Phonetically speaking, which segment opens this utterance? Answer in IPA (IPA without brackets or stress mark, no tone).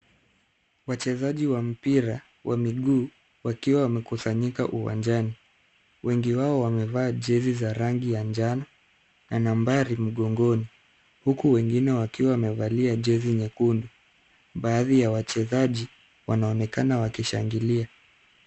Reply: w